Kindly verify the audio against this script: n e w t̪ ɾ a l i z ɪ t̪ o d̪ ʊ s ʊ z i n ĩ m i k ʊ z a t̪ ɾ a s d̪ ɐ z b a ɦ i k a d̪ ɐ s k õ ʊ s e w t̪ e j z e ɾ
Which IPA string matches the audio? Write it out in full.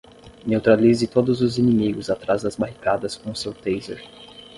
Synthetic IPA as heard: n e w t̪ ɾ a l i z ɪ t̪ o d̪ ʊ z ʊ z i n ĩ m i ɡ ʊ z a t̪ ɾ a z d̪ ɐ z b a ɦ i k a d̪ ɐ s k õ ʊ s e w t̪ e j z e ɾ